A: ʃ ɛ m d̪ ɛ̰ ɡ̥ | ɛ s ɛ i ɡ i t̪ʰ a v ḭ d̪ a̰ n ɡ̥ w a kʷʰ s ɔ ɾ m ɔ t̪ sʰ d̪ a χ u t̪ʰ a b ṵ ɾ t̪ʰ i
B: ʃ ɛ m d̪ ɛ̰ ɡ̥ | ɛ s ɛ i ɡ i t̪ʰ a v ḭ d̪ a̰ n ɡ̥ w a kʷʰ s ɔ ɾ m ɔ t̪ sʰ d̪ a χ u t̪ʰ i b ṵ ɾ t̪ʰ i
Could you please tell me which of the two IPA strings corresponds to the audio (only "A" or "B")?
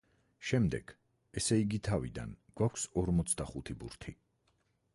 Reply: B